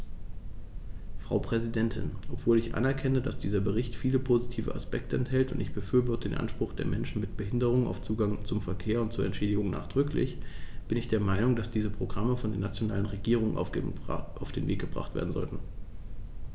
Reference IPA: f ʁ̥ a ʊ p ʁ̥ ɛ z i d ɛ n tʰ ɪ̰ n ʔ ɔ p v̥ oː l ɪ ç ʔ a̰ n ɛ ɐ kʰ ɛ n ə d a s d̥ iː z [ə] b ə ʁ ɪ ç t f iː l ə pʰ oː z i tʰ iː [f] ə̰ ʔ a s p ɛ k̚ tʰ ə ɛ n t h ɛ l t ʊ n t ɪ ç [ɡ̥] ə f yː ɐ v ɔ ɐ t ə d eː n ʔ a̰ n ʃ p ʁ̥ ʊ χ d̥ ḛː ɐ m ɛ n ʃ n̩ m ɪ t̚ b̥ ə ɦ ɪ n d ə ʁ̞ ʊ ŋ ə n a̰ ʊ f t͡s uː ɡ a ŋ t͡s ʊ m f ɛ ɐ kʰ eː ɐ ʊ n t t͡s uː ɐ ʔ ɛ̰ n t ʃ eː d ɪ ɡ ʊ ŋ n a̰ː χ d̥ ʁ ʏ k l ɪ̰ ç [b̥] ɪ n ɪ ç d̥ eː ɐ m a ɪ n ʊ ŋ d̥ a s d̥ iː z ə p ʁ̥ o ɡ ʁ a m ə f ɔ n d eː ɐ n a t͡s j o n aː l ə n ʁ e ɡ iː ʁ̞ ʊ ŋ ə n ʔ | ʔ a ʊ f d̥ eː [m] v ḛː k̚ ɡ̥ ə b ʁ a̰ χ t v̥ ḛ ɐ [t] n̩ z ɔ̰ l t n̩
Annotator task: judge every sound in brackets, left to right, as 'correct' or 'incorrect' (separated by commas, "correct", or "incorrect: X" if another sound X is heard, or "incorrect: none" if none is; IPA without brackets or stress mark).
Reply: incorrect: ɐ, incorrect: v, incorrect: b̥, correct, incorrect: n, incorrect: d